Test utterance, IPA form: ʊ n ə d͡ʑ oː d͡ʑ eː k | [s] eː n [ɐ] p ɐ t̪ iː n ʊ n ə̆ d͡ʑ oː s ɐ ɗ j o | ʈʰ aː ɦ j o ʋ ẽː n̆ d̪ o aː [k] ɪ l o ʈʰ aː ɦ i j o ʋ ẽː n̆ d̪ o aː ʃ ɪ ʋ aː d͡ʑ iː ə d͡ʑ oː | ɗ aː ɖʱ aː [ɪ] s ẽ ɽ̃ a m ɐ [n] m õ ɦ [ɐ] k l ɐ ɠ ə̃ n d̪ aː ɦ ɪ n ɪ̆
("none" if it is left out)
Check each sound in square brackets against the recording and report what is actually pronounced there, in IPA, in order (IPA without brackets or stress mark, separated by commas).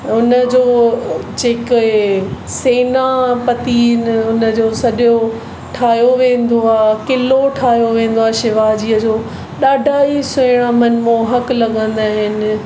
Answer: s, a, k, i, n, ɐ